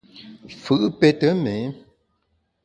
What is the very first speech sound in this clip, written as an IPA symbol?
f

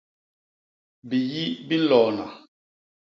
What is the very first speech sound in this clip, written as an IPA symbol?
b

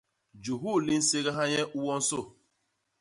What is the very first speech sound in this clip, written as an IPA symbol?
d͡ʒ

